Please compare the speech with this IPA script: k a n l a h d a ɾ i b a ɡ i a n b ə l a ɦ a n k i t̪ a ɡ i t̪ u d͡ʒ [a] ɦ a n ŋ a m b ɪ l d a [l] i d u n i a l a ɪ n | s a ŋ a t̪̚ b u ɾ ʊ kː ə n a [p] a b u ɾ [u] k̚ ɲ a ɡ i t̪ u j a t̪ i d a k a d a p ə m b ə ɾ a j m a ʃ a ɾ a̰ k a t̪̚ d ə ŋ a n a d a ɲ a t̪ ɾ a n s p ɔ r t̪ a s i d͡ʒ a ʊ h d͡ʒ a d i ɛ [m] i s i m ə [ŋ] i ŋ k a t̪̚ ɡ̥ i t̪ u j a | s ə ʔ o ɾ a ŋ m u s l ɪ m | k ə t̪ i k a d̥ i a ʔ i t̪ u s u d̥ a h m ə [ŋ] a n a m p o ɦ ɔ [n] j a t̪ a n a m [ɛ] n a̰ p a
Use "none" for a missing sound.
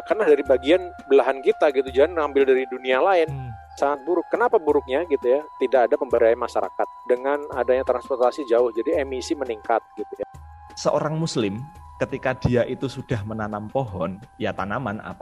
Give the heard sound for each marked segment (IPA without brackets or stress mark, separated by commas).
a, ɾ, p, ʊ, m, n, n, n, a